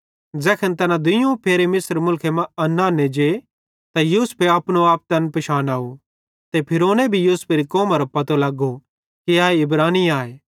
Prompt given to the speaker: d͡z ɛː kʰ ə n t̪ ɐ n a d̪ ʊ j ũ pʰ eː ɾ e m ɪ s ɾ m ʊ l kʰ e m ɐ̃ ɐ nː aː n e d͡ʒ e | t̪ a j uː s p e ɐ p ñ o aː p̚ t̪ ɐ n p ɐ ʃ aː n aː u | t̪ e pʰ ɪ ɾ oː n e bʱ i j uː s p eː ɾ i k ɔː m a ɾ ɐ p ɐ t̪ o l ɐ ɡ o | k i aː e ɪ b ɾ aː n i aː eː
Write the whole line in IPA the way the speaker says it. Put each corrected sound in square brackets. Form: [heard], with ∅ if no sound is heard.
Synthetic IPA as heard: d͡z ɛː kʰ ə n t̪ ɐ n a d̪ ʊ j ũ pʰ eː ɾ e m ɪ s ɾ m ʊ l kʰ e m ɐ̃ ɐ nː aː n e d͡ʒ e | t̪ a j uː s p e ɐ p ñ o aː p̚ t̪ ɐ n p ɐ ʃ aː n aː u | t̪ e pʰ ɪ ɾ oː n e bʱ i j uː s p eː ɾ i k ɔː m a ɾ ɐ p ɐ t̪ o l ɐ ɡ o | k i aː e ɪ b ɾ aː n i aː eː